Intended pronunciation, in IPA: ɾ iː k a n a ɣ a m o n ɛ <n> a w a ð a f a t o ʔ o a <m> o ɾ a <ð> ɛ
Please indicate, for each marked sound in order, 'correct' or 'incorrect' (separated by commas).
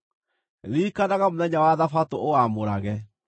incorrect, correct, incorrect